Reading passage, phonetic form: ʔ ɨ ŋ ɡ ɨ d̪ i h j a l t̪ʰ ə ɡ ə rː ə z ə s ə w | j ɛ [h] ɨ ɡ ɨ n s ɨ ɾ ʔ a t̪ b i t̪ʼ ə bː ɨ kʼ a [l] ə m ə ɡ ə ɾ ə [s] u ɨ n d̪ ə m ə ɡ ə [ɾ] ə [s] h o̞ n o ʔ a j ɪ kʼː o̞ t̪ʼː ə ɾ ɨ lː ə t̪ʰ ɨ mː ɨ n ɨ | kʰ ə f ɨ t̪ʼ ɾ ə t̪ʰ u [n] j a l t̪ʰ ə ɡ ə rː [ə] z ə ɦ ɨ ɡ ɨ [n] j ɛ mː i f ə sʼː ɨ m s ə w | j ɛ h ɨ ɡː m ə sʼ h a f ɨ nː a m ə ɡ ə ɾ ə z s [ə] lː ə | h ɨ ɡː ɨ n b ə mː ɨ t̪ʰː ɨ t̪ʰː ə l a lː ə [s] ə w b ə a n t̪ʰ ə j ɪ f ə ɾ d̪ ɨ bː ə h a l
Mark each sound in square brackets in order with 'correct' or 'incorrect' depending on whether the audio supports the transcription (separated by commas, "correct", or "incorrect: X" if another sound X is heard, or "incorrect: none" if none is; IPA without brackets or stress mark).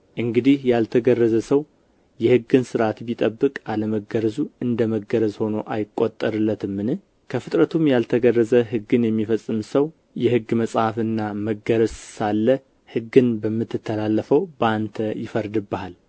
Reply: correct, correct, incorrect: z, correct, incorrect: z, incorrect: m, correct, correct, incorrect: a, incorrect: f